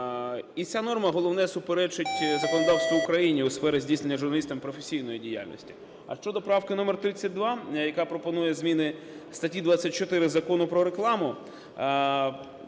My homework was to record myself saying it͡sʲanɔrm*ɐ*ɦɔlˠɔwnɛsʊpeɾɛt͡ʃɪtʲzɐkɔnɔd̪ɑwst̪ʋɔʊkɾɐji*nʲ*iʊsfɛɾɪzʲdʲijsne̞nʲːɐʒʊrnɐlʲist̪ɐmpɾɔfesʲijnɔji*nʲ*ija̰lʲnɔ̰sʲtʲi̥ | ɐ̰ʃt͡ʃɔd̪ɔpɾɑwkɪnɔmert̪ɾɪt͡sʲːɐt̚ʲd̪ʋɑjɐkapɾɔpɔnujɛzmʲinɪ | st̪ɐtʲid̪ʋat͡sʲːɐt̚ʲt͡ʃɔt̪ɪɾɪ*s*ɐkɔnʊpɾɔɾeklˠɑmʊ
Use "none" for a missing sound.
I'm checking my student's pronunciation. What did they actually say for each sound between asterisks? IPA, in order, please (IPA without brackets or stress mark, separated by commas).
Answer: ɐ, nʲ, dʲ, z